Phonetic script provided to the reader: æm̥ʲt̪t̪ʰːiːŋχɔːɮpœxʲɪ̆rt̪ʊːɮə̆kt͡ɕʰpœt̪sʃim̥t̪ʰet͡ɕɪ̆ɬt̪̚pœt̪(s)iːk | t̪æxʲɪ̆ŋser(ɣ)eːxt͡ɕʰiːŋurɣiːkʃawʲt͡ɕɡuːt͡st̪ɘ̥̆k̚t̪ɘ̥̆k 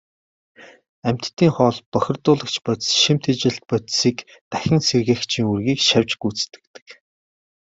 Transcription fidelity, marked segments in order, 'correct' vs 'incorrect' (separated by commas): correct, correct